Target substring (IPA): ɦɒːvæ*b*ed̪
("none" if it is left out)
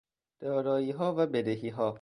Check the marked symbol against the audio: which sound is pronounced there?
b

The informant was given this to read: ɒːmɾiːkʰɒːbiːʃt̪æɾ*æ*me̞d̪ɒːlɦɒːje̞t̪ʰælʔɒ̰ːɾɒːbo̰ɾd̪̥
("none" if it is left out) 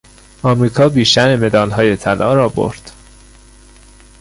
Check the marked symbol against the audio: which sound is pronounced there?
e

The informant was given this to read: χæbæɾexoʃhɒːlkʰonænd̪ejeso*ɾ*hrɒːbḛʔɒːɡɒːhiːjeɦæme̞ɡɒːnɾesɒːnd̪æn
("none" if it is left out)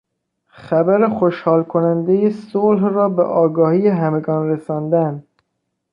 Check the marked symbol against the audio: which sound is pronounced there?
l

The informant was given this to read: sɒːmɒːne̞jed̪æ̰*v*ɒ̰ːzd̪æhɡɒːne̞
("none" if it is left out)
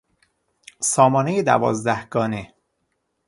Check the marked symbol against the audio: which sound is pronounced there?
v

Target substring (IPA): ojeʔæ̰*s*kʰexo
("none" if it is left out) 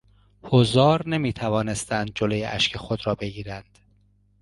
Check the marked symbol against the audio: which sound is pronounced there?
ʃ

